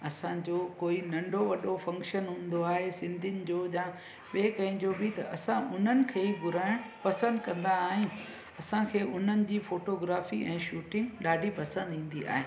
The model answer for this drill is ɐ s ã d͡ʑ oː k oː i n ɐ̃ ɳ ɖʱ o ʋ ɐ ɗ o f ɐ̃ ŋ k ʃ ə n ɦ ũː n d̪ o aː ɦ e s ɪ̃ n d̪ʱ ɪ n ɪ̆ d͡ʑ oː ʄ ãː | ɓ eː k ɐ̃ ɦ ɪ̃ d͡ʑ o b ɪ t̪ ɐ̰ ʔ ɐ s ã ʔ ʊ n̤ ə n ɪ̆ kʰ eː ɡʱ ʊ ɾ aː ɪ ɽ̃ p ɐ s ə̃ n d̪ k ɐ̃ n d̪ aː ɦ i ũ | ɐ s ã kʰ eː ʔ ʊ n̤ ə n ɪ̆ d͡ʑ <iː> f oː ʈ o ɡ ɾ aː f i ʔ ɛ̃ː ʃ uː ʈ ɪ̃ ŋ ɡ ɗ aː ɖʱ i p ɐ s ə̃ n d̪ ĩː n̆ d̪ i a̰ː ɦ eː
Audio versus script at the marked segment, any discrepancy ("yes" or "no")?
no